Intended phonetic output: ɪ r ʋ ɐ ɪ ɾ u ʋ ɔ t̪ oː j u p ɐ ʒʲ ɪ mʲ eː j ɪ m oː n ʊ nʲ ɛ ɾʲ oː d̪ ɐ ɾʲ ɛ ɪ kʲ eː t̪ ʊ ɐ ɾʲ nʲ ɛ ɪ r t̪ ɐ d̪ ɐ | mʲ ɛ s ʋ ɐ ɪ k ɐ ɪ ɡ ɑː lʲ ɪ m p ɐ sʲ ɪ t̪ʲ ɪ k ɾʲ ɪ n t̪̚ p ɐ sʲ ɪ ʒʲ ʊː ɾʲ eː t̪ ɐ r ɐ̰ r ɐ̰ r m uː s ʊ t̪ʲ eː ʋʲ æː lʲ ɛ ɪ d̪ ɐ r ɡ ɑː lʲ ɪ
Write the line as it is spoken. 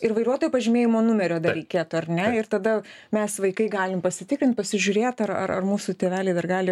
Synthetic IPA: ɪ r ʋ ɐ ɪ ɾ u ɔ t̪ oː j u p ɐ ʒʲ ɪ mʲ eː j ɪ m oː n ʊ mʲ ɛ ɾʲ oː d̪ ɐ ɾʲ ɛ ɪ kʲ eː t̪ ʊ ɐ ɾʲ nʲ ɛ ɪ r t̪ ɐ d̪ ɐ | mʲ ɛ s ʋ ɐ ɪ k ɐ ɪ ɡ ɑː lʲ ɪ m p ɐ sʲ ɪ t̪ʲ ɪ k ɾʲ ɪ n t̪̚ p ɐ sʲ ɪ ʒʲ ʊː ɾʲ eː t̪ ɐ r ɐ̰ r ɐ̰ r m uː s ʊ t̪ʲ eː ʋʲ æː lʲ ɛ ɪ d̪ ɐ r ɡ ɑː lʲ ɪ